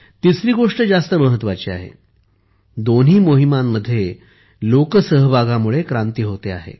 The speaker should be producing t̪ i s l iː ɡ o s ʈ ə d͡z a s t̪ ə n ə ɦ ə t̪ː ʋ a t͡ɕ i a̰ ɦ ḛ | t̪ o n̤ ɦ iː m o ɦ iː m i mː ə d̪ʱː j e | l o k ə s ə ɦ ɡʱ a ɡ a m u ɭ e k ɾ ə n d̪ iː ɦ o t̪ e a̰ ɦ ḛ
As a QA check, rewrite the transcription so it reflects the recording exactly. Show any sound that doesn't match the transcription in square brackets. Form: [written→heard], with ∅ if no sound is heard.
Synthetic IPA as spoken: t̪ i s [l→ɾ] iː ɡ o [s→ʂ] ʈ ə d͡z a s t̪ ə [n→m] ə ɦ ə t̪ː ʋ a t͡ɕ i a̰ ɦ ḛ | [t̪→d̪] o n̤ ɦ iː m o ɦ [iː→i] m [i→a] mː ə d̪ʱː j e | l o k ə s ə ɦ [ɡʱ→bʱ] a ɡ a m u ɭ e k ɾ [ə→a] n [d̪→t̪] iː ɦ o t̪ e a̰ ɦ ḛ